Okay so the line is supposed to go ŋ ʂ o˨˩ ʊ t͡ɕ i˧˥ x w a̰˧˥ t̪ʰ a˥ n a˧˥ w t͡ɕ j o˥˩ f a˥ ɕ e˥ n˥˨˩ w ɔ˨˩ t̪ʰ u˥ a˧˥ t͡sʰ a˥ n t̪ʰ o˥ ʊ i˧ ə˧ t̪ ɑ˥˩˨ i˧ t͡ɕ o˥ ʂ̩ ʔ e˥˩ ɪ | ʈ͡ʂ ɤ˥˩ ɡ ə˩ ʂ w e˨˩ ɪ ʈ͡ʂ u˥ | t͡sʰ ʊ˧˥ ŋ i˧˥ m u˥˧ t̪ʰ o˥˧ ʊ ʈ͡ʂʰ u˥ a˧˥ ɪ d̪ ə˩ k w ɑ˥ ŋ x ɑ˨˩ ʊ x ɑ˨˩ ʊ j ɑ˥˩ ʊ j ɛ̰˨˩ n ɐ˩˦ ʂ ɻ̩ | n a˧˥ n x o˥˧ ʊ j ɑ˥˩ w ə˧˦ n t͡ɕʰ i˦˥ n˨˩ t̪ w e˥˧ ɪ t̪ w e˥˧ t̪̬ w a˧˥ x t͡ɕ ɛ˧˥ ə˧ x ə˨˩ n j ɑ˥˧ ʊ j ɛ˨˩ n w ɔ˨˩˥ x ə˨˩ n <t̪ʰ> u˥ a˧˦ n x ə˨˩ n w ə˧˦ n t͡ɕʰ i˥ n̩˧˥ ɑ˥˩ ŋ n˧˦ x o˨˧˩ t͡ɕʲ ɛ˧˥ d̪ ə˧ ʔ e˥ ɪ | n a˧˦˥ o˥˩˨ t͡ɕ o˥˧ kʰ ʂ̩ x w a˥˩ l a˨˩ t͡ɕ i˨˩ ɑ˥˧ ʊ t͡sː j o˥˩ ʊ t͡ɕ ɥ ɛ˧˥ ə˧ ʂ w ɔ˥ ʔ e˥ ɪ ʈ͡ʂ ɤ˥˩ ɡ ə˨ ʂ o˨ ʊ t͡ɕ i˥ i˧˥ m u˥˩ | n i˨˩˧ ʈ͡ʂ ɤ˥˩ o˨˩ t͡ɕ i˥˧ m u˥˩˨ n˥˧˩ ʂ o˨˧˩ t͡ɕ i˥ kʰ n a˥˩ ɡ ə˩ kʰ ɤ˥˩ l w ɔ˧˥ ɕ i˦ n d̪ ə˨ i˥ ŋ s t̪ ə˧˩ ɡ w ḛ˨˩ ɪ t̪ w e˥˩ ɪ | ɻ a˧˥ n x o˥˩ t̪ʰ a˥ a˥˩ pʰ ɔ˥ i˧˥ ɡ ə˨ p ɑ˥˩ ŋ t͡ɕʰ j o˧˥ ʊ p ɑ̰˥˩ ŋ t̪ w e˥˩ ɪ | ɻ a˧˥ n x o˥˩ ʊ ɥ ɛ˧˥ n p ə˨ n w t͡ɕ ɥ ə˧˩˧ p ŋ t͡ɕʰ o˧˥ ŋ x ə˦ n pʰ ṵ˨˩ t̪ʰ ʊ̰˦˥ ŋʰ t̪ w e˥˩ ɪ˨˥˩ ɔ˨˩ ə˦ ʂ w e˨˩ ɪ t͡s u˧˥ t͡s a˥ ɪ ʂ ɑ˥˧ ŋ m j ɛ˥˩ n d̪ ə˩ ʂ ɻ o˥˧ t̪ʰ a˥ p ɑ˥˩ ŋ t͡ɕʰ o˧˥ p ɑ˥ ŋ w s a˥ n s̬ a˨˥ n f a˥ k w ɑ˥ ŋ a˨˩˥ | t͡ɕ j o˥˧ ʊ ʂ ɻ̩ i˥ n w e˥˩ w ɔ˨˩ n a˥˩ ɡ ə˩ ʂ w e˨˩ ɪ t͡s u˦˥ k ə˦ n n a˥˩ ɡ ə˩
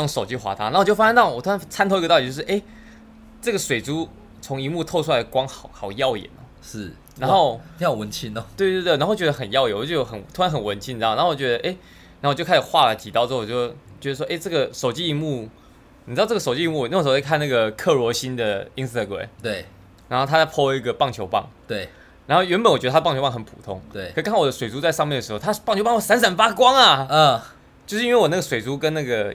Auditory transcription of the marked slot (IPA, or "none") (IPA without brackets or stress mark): t̪ʰ